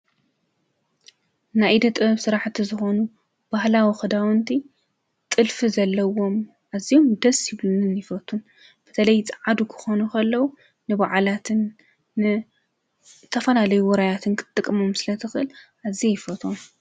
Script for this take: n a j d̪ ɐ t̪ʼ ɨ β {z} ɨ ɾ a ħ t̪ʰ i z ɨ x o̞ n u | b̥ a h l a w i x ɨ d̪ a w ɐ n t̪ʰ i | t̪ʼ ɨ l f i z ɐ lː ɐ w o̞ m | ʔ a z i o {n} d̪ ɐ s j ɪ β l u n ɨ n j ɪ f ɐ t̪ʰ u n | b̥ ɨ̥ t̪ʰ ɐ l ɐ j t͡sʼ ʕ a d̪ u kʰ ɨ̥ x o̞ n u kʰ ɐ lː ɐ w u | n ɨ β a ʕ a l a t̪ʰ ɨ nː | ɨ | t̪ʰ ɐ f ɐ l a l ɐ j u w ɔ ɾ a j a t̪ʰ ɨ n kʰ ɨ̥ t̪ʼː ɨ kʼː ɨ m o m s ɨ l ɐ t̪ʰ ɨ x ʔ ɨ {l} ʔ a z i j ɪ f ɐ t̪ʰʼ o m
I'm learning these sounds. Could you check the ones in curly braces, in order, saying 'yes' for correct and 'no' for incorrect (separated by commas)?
no, no, yes